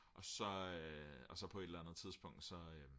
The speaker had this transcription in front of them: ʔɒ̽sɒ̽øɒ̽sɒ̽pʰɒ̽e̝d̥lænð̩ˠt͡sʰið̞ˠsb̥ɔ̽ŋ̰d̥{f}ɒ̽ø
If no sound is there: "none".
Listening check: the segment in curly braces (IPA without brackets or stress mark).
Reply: s